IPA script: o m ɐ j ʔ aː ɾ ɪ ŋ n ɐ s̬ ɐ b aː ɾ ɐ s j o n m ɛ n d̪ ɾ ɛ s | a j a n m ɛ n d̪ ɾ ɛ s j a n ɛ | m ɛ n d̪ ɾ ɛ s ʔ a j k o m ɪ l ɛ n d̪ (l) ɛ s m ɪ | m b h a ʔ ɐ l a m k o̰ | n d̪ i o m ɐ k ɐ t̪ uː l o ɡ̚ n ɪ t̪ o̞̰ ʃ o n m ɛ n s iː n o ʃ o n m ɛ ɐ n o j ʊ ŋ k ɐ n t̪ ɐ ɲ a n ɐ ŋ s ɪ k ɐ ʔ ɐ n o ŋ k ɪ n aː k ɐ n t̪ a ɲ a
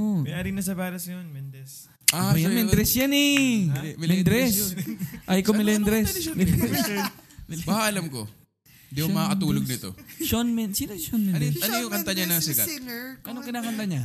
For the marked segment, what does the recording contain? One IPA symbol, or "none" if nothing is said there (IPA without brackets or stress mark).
ɾ